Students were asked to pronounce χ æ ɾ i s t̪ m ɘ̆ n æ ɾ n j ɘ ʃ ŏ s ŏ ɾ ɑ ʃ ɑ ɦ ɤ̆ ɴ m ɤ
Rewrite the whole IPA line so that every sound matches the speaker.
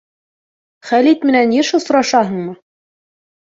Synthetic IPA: χ æ l i t̪ m ɘ̆ n æ n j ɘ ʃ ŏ s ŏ ɾ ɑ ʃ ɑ ɦ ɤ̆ ɴ m ɤ